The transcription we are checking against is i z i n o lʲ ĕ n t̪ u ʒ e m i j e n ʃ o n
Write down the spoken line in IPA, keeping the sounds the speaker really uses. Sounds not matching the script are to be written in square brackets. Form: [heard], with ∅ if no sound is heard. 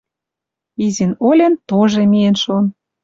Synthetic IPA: i z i n o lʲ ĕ n t̪ [o] ʒ e m i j e n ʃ o n